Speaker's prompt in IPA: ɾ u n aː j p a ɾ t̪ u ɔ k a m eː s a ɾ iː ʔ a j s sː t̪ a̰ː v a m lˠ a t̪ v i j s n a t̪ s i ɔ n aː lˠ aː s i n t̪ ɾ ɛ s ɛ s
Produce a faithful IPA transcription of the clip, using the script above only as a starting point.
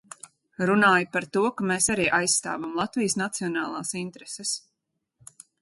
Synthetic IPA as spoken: ɾ u n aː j p a ɾ t̪ u ɔ k a m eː s a ɾ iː ʔ a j s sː t̪ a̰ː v a m lˠ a t̪ v i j s n a t̪ s i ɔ n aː lˠ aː s i n t̪ ɾ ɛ s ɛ s